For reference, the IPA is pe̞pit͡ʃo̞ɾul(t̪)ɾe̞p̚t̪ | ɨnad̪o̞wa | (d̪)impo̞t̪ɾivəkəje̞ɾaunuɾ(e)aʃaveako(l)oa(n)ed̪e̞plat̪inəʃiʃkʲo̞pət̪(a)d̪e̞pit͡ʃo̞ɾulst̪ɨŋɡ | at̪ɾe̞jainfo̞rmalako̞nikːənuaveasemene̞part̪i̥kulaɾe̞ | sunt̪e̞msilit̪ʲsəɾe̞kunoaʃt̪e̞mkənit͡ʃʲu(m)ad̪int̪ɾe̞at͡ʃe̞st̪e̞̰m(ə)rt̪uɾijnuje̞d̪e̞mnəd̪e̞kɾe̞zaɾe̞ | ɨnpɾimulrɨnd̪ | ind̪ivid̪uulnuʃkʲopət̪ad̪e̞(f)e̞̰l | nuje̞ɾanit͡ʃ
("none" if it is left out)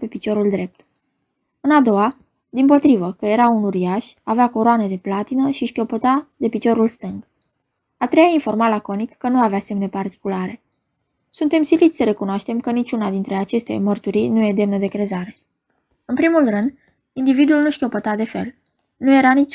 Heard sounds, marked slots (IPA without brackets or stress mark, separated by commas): d̪, d̪, i, ɾ, n, a, n, ə, f